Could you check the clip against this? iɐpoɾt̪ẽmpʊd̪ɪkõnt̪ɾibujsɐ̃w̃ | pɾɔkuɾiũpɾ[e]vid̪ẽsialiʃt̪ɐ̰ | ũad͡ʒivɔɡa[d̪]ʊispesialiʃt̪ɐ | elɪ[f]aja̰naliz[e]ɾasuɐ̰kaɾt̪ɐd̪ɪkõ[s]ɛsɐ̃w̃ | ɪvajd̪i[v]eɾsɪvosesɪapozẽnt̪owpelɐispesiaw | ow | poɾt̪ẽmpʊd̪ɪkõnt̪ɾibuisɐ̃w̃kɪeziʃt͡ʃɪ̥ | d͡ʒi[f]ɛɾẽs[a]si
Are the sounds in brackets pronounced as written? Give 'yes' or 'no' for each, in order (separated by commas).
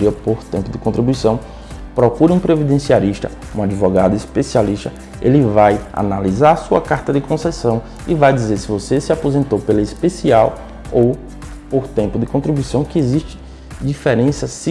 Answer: yes, yes, no, no, yes, no, yes, no